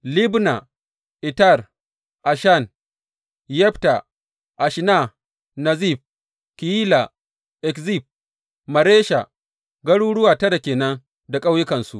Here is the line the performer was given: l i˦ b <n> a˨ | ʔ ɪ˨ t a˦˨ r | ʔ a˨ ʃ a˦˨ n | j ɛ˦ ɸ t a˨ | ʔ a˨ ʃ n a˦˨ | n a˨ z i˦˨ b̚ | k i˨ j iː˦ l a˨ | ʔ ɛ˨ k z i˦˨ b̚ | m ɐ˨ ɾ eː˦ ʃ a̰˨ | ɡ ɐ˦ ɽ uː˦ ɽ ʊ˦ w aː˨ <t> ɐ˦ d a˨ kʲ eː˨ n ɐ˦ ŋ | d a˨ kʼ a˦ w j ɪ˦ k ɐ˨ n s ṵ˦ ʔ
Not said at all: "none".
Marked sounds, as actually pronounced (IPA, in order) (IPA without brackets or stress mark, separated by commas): n, t